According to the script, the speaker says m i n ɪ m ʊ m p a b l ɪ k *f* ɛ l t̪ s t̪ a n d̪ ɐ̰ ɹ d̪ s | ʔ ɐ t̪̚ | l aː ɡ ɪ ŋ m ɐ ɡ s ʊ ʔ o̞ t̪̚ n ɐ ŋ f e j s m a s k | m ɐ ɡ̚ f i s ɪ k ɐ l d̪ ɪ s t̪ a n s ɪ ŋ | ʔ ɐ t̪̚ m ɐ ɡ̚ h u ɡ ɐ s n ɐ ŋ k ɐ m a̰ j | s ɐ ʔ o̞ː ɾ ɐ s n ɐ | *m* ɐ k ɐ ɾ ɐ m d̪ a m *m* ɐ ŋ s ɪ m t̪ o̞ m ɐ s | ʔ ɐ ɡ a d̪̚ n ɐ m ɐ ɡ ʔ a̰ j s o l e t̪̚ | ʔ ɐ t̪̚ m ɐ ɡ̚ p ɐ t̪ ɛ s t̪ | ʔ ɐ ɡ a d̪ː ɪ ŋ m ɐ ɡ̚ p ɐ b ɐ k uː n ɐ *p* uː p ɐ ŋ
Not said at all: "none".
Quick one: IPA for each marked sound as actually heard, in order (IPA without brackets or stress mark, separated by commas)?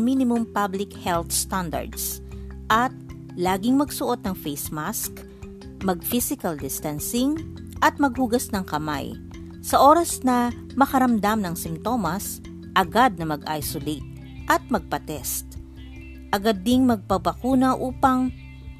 h, m, n, ʔ